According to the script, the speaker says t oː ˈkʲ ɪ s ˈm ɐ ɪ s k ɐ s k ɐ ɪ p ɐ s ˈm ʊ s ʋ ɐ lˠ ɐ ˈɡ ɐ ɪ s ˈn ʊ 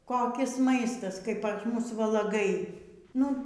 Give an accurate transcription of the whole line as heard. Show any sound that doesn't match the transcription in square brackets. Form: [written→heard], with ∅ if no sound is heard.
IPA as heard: [t→k] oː ˈkʲ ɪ s ˈm ɐ ɪ s [k→t] ɐ s k ɐ ɪ p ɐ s ˈm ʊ s ʋ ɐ lˠ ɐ ˈɡ ɐ ɪ [s→∅] ˈn ʊ